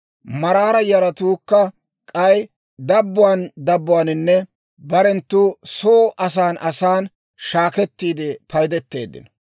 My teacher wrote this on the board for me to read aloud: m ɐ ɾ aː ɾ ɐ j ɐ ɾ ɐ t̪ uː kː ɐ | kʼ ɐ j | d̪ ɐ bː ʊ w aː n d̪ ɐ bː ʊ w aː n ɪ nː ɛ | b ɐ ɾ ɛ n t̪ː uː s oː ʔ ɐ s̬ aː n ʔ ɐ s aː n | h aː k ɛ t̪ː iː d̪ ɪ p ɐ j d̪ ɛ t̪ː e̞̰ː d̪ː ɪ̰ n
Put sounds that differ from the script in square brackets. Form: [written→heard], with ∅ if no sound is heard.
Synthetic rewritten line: m ɐ ɾ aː ɾ ɐ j ɐ ɾ ɐ t̪ uː kː ɐ | kʼ ɐ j | d̪ ɐ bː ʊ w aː n d̪ ɐ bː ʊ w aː n ɪ nː ɛ | b ɐ ɾ ɛ n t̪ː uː s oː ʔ ɐ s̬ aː n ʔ ɐ s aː n | [h→ʃ] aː k ɛ t̪ː iː d̪ ɪ p ɐ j d̪ ɛ t̪ː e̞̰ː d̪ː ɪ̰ n

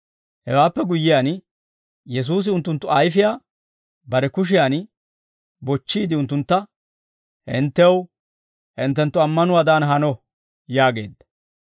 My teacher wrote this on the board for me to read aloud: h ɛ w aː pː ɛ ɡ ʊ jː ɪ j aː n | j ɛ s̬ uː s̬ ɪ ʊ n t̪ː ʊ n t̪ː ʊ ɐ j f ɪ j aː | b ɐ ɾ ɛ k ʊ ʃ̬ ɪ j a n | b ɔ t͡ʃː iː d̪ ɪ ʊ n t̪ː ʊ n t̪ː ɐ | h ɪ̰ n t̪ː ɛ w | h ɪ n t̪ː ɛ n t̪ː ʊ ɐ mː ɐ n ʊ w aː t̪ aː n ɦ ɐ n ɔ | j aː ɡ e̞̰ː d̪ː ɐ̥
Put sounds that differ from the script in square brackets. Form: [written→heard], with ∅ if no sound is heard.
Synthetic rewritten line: h ɛ w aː pː ɛ ɡ ʊ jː ɪ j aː n | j ɛ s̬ uː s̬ ɪ ʊ n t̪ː ʊ n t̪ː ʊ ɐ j f ɪ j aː | b ɐ ɾ ɛ k ʊ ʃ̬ ɪ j a n | b ɔ t͡ʃː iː d̪ ɪ ʊ n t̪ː ʊ n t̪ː ɐ | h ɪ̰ n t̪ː ɛ w | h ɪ n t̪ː ɛ n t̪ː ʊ ɐ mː ɐ n ʊ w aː [t̪→d̪] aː n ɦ ɐ n ɔ | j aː ɡ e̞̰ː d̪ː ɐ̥

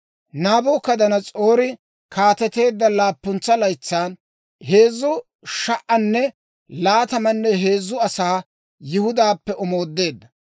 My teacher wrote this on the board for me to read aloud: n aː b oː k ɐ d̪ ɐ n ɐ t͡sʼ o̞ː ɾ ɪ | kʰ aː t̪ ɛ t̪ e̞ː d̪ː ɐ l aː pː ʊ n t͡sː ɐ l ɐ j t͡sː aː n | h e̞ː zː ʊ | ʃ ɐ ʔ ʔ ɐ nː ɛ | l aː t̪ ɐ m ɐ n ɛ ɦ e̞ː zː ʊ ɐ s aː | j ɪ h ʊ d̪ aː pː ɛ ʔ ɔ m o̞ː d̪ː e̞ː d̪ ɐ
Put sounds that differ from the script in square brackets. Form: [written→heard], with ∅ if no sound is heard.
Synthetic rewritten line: n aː b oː k ɐ d̪ ɐ n ɐ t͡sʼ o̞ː ɾ ɪ | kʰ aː t̪ ɛ t̪ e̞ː d̪ː ɐ l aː pː ʊ n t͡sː ɐ l ɐ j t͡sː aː n | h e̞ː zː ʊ | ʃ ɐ ʔ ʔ ɐ nː ɛ | l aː t̪ ɐ m ɐ [n→nː] ɛ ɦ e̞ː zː ʊ ɐ s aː | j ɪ h ʊ d̪ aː pː ɛ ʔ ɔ m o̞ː d̪ː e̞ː [d̪→d̪ː] ɐ

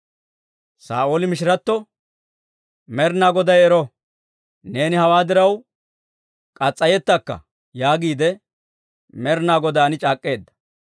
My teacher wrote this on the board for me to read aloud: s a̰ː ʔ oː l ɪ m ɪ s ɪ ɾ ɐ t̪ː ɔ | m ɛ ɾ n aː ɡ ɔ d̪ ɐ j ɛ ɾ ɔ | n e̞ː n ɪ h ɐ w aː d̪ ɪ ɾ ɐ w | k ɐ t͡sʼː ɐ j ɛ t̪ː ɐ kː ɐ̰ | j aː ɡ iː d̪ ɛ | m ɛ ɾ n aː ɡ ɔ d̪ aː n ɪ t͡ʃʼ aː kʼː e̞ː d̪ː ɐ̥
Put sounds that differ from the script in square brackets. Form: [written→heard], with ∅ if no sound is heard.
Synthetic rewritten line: s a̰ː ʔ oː l ɪ m ɪ [s→ʃ] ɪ ɾ ɐ t̪ː ɔ | m ɛ ɾ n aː ɡ ɔ d̪ ɐ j ɛ ɾ ɔ | n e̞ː n ɪ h ɐ w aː d̪ ɪ ɾ ɐ w | [k→kʼ] ɐ t͡sʼː ɐ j ɛ t̪ː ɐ kː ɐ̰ | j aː ɡ iː d̪ ɛ | m ɛ ɾ n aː ɡ ɔ d̪ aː n ɪ t͡ʃʼ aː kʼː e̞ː d̪ː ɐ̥

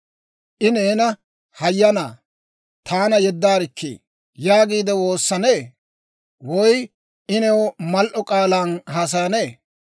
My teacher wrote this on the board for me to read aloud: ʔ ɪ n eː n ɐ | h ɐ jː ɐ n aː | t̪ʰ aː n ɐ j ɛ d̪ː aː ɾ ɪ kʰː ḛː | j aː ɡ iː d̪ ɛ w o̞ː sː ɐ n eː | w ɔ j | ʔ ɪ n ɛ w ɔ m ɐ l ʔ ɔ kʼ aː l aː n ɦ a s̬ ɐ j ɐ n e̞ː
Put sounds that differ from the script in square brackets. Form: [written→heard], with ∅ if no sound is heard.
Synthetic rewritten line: ʔ ɪ n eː n ɐ | h ɐ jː ɐ n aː | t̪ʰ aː n ɐ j ɛ d̪ː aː ɾ ɪ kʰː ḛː | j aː ɡ iː d̪ ɛ w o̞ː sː ɐ n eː | w ɔ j | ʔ ɪ n ɛ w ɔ m ɐ l ʔ ɔ kʼ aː l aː n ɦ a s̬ ɐ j ɐ n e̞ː

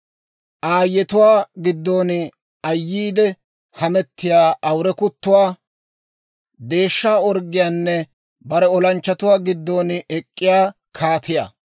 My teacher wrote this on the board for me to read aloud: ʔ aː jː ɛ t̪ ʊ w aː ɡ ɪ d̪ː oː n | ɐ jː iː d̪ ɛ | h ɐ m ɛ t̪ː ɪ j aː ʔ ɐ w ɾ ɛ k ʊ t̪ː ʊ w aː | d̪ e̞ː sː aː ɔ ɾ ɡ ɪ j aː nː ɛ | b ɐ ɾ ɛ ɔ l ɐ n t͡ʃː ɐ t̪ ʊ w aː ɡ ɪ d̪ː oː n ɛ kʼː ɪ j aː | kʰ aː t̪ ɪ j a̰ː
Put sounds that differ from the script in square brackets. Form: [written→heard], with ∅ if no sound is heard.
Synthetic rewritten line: ʔ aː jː ɛ t̪ ʊ w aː ɡ ɪ d̪ː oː n | ɐ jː iː d̪ ɛ | h ɐ m ɛ t̪ː ɪ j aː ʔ ɐ w ɾ ɛ k ʊ t̪ː ʊ w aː | d̪ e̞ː [sː→ʃː] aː ɔ ɾ ɡ ɪ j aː nː ɛ | b ɐ ɾ ɛ ɔ l ɐ n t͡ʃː ɐ t̪ ʊ w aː ɡ ɪ d̪ː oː n ɛ kʼː ɪ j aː | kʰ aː t̪ ɪ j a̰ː

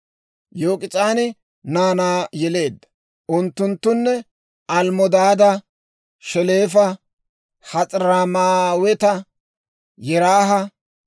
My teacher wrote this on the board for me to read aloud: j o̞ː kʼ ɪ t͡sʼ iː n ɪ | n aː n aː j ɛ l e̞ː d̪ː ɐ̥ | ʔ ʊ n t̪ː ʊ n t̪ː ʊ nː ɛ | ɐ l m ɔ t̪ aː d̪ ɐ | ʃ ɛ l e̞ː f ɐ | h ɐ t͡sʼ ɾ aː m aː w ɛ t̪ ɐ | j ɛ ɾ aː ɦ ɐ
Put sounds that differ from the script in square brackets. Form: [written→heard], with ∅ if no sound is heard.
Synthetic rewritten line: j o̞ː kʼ ɪ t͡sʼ [iː→aː] n ɪ | n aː n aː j ɛ l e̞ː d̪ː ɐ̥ | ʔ ʊ n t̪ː ʊ n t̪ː ʊ nː ɛ | ɐ l m ɔ [t̪→d̪] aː d̪ ɐ | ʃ ɛ l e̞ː f ɐ | h ɐ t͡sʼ ɾ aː m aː w ɛ t̪ ɐ | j ɛ ɾ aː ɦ ɐ

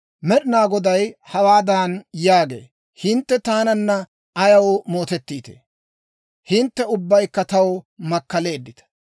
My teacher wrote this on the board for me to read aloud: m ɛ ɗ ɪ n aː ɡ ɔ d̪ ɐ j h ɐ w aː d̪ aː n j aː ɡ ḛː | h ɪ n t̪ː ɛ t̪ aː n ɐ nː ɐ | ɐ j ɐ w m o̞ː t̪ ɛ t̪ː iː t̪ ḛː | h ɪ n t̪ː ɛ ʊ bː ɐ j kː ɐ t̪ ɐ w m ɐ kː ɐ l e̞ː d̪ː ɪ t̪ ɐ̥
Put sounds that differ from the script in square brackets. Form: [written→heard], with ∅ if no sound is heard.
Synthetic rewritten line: m ɛ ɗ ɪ n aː ɡ ɔ d̪ ɐ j h ɐ w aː d̪ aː n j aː ɡ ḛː | h ɪ n t̪ː ɛ t̪ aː n ɐ nː ɐ | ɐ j ɐ w m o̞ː t̪ ɛ t̪ː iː t̪ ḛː | h ɪ n t̪ː ɛ ʊ bː ɐ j kː ɐ t̪ ɐ w m ɐ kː ɐ l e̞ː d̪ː ɪ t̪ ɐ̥

